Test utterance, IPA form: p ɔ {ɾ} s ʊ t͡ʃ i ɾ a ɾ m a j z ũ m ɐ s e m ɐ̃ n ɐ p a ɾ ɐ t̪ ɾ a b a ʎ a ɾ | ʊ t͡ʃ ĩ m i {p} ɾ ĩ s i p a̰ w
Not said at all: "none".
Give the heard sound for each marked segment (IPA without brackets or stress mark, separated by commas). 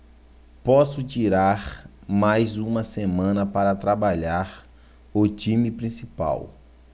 none, p